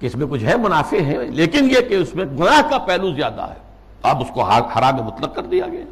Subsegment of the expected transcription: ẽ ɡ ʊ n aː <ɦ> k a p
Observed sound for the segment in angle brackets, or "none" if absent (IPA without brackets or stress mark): ɦ